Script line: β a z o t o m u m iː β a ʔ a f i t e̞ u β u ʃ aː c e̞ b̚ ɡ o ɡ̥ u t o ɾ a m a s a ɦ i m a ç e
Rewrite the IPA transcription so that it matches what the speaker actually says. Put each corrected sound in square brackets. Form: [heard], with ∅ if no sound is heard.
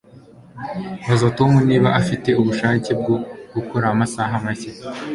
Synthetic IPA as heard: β a z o t o m u [n] iː β a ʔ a f i t e̞ u β u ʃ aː c e̞ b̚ ɡ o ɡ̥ u [k] o ɾ a m a s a ɦ [a] m a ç e